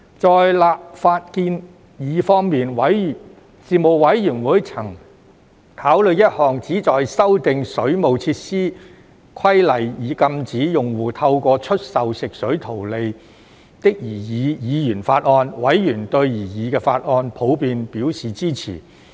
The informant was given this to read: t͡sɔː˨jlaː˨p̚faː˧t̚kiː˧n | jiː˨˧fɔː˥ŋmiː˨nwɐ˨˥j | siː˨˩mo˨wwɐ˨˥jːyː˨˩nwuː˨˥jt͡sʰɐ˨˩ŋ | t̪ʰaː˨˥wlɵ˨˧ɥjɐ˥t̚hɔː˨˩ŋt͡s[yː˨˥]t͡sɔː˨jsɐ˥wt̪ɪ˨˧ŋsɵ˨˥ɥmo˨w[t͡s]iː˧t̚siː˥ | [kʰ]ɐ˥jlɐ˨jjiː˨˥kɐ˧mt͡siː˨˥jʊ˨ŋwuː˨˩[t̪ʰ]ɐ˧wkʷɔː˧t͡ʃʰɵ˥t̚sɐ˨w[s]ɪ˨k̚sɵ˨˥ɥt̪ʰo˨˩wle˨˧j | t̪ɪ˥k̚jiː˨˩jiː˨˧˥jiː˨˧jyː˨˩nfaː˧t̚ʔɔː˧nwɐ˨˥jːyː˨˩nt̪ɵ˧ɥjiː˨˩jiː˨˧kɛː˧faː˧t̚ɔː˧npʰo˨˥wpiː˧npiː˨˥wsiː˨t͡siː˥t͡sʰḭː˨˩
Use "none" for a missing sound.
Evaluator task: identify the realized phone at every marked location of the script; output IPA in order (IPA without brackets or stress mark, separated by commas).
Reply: iː˨˥, t͡sʰ, kʰ, t̪ʰ, s